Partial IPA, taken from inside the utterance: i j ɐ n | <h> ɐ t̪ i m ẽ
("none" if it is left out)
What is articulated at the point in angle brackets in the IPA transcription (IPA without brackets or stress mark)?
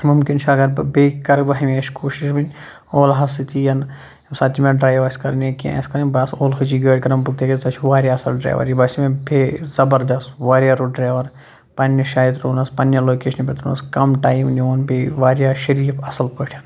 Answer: s